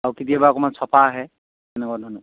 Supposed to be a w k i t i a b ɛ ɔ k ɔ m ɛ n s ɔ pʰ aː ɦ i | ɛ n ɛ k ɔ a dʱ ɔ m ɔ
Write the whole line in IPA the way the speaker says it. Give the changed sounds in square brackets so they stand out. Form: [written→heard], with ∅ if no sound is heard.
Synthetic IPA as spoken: a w k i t i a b [ɛ→a] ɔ k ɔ m [ɛ→a] n s ɔ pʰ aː ɦ [i→ɛ] | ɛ n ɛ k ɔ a dʱ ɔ [m→n] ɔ